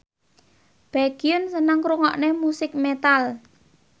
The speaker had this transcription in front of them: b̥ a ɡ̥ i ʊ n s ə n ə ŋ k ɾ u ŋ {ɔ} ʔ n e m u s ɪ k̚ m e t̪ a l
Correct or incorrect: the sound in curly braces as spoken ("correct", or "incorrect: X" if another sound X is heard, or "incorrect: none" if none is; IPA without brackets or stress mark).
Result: correct